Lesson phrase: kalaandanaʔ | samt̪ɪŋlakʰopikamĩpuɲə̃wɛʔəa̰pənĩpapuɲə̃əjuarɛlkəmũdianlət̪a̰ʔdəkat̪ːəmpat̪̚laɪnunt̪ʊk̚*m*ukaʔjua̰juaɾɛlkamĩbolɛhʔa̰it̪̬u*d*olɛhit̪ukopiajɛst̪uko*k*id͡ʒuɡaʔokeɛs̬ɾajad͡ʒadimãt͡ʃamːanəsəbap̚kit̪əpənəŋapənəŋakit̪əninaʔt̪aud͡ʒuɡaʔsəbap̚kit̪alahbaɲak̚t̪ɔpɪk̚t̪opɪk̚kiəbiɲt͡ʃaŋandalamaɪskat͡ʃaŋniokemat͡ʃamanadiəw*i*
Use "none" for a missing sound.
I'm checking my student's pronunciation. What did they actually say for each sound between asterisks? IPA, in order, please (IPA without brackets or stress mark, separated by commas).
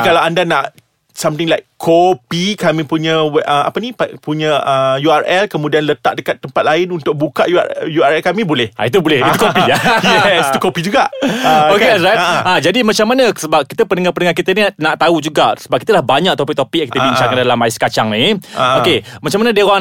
b, b, p, a